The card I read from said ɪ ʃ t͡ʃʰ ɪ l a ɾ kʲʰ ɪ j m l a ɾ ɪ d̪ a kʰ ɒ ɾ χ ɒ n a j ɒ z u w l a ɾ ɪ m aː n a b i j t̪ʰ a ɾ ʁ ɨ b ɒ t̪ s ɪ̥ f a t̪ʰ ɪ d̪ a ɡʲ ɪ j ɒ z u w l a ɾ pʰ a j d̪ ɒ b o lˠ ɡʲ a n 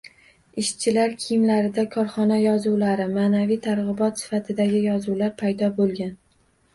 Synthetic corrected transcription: ɪ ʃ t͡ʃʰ ɪ l a ɾ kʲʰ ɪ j m l a ɾ ɪ d̪ a kʰ ɒ ɾ χ ɒ n a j ɒ z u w l a ɾ ɪ m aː n a v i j t̪ʰ a ɾ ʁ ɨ b ɒ t̪ s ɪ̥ f a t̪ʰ ɪ d̪ a ɡʲ ɪ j ɒ z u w l a ɾ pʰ a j d̪ ɒ b o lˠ ɡʲ a n

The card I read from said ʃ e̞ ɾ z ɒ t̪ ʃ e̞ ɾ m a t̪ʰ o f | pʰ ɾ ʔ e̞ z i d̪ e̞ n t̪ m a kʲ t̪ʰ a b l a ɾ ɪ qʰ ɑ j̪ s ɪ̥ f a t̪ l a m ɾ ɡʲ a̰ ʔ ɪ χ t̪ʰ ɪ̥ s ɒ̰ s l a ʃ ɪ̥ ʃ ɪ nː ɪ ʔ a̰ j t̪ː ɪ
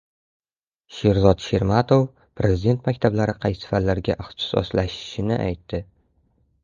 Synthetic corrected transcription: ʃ e̞ ɾ z ɒ t̪ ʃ e̞ ɾ m a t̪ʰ o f | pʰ ɾ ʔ e̞ z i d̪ e̞ n t̪ m a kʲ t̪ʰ a b l a ɾ ɪ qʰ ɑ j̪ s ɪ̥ f a t̪ l a ɾ ɡʲ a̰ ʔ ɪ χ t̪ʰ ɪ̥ s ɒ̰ s l a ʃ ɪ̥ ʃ ɪ n ɪ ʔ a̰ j t̪ː ɪ

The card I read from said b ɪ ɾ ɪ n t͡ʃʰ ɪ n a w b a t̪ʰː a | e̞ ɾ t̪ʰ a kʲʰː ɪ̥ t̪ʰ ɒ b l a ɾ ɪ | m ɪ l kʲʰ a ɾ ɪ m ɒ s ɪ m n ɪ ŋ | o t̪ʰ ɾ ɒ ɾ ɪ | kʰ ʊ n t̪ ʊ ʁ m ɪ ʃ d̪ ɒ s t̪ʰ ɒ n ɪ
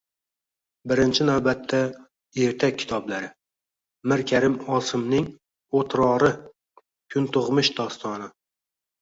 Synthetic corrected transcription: b ɪ ɾ ɪ n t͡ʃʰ ɪ n a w b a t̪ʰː a | e̞ ɾ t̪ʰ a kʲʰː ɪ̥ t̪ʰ ɒ b l a ɾ ɪ | m ɪ ɾ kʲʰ a ɾ ɪ m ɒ s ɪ m n ɪ ŋ | o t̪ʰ ɾ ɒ ɾ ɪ | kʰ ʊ n t̪ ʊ ʁ m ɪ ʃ d̪ ɒ s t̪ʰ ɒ n ɪ

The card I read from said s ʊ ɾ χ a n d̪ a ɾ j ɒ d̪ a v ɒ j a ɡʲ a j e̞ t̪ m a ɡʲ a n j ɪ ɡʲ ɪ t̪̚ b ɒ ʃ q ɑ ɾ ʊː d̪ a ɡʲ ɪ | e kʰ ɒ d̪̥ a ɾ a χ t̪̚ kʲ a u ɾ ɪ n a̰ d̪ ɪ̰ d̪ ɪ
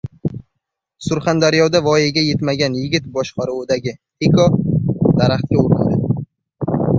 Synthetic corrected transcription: s ʊ ɾ χ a n d̪ a ɾ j ɒ d̪ a v ɒ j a ɡʲ a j e̞ t̪ m a ɡʲ a n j ɪ ɡʲ ɪ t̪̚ b ɒ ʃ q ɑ ɾ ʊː d̪ a ɡʲ ɪ | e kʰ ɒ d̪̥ a ɾ a χ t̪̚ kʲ a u ɾ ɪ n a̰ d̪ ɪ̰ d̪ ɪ

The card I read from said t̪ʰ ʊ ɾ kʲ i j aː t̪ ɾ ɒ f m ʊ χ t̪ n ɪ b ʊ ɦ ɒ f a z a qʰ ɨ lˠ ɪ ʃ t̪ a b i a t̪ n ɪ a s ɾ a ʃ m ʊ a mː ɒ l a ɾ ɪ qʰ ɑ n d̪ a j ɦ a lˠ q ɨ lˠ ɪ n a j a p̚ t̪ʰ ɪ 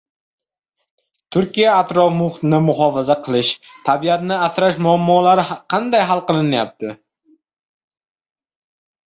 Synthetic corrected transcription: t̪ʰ ʊ ɾ kʲ i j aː t̪ ɾ ɒ f m ʊ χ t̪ n ɪ m ʊ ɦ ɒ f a z a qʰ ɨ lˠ ɪ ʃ t̪ʰ a b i a t̪ n ɪ a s ɾ a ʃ m ʊ a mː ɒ l a ɾ ɪ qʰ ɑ n d̪ a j ɦ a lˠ q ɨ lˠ ɪ n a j a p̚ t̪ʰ ɪ

